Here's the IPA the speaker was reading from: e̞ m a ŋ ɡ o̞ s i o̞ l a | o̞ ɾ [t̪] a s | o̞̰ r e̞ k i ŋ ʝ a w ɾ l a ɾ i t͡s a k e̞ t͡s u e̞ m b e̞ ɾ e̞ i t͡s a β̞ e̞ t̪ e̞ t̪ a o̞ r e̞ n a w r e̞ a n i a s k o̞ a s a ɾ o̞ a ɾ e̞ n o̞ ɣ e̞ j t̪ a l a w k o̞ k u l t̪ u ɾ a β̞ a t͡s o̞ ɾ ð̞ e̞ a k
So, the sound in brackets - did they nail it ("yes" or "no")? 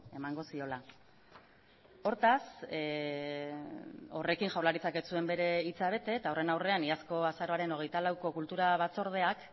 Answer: yes